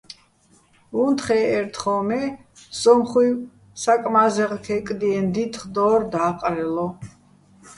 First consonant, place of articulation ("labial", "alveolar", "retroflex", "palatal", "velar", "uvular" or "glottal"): alveolar